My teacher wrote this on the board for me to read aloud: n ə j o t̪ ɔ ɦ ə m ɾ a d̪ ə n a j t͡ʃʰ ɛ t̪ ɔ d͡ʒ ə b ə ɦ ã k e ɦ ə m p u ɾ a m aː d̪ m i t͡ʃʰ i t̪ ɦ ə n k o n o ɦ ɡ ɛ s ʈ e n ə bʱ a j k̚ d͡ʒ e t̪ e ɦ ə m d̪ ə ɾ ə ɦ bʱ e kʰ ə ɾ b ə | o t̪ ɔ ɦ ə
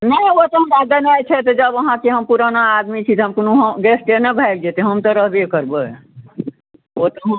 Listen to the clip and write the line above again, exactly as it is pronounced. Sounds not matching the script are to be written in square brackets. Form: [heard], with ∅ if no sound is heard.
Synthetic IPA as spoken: n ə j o t̪ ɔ ɦ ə m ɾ a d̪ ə n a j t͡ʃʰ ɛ t̪ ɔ d͡ʒ ə b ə ɦ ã k e ɦ ə m p u ɾ a [n] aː d̪ m i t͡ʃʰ i t̪ ɦ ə [m] k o n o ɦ ɡ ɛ s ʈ e n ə bʱ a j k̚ d͡ʒ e t̪ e ɦ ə m [t̪] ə ɾ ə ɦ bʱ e [k] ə ɾ b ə | o t̪ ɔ ɦ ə